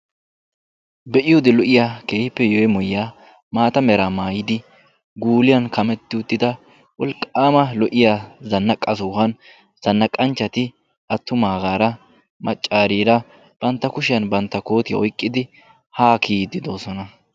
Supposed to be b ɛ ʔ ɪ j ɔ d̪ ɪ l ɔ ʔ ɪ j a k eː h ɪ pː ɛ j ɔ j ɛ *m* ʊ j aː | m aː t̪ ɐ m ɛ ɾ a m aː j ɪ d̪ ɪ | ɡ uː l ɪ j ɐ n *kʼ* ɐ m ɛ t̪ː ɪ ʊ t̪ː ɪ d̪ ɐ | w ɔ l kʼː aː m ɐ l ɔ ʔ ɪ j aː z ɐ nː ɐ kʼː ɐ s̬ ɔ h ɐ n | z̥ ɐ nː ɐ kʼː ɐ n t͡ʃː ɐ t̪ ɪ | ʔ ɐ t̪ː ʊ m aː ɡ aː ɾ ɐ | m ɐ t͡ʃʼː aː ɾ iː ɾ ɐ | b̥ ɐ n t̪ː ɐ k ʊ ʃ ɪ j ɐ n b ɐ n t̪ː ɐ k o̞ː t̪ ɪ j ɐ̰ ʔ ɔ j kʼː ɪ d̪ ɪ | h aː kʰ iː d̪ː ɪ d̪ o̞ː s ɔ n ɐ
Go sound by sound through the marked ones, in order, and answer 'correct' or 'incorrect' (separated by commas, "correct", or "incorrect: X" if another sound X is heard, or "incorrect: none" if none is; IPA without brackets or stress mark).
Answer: correct, incorrect: k